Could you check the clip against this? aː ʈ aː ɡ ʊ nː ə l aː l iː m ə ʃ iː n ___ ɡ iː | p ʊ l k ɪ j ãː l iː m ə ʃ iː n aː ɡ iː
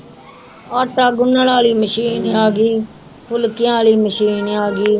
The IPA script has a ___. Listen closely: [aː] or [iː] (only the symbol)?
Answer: aː